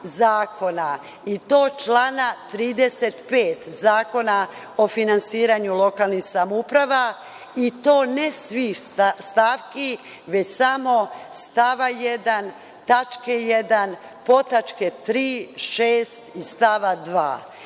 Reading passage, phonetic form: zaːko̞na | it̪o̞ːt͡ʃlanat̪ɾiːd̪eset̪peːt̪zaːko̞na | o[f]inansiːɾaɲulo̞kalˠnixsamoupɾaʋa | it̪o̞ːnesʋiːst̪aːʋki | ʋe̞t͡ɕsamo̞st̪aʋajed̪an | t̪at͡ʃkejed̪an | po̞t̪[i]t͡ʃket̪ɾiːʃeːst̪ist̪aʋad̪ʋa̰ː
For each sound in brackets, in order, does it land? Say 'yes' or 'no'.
yes, no

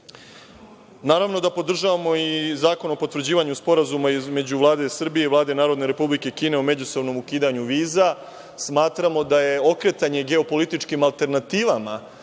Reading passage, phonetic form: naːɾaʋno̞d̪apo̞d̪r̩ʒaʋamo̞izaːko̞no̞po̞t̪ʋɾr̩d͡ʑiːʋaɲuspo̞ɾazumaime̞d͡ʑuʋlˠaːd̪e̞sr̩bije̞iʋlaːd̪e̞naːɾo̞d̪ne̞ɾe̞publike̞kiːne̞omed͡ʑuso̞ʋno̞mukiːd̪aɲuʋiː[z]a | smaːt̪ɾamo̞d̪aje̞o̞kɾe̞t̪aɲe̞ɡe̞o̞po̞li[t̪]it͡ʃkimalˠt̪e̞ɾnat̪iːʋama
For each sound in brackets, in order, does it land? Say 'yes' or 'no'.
yes, yes

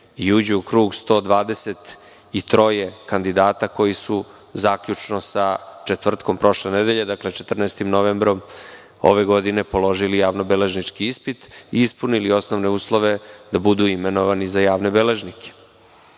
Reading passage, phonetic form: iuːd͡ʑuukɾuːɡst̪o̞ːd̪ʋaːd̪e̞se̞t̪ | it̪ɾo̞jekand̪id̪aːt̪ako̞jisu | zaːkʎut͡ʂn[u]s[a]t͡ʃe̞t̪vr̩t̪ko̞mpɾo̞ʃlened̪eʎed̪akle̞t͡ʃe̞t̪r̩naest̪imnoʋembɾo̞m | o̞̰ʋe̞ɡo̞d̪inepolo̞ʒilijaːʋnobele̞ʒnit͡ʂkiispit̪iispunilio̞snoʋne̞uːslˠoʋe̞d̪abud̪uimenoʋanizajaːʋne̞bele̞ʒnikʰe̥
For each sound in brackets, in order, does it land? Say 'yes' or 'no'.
no, yes

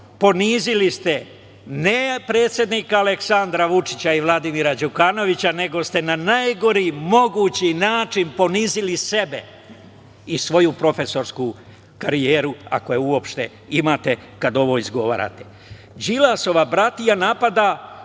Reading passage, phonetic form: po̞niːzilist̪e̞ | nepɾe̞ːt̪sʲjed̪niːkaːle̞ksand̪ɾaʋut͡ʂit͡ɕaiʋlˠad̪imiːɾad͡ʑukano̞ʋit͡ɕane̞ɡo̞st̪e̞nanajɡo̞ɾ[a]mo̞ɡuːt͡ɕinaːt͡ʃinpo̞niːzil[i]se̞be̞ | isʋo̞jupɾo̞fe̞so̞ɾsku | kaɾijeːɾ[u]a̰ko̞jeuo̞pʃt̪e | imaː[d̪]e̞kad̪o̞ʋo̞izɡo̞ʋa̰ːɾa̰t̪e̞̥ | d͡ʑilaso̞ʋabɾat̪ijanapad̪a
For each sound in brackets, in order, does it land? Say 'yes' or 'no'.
no, yes, yes, no

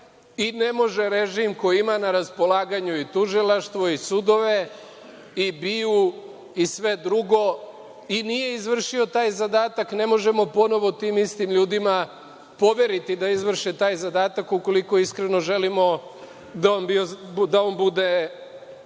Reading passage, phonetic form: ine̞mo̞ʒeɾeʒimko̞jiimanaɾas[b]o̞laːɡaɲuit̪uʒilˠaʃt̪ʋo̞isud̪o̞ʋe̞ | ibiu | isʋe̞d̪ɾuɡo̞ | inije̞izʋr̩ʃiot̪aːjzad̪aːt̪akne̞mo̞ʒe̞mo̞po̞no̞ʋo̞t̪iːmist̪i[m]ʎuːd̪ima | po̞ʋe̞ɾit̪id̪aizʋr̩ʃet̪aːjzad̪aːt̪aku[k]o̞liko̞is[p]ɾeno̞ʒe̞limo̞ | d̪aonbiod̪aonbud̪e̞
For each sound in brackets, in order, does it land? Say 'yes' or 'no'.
no, yes, yes, no

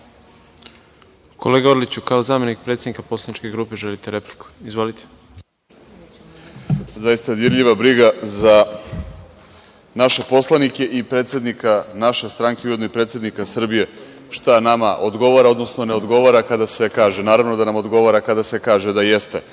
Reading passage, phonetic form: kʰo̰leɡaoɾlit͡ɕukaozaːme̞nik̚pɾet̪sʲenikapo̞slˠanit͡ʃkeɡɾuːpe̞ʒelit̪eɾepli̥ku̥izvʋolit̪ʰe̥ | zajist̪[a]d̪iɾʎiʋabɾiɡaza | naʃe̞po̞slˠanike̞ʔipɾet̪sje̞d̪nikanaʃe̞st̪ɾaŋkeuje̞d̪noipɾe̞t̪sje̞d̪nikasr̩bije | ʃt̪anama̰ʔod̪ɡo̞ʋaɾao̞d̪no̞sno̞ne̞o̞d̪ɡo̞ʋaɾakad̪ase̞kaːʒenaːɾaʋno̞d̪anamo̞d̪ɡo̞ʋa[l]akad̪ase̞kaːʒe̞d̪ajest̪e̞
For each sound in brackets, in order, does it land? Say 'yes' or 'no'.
yes, no

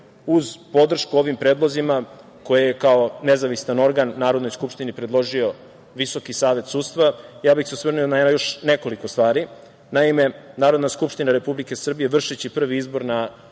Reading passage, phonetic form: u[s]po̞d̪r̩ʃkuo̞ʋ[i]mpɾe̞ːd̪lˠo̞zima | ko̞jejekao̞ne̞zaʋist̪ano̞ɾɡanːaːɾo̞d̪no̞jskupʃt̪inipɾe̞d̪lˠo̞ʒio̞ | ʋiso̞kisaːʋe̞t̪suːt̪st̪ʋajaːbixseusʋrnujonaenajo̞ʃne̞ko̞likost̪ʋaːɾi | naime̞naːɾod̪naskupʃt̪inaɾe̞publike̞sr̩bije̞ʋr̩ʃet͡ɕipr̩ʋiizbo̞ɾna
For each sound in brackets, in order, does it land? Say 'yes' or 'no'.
no, yes

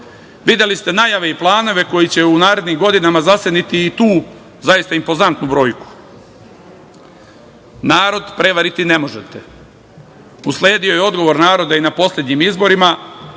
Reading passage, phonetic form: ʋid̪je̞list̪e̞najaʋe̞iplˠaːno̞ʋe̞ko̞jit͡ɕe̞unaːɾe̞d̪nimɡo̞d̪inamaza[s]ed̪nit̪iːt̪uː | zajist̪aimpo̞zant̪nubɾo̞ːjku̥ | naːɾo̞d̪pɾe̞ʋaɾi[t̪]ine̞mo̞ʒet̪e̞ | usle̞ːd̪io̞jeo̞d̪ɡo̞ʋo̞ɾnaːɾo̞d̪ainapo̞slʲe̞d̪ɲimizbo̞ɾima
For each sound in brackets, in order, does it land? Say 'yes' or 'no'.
yes, yes

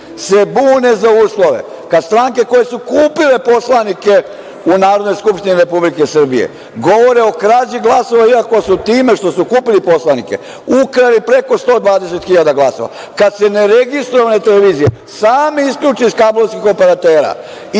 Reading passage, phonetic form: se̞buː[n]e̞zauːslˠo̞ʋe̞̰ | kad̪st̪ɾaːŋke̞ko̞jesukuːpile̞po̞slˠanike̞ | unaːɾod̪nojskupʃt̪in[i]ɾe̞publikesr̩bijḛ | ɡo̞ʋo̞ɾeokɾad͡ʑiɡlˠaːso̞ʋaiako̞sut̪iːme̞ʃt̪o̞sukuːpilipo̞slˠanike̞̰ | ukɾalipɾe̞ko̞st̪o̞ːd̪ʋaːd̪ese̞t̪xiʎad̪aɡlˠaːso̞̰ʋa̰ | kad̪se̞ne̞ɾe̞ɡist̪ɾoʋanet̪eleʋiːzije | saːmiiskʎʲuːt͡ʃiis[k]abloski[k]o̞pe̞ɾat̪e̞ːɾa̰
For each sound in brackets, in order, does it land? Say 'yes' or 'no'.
yes, yes, yes, no

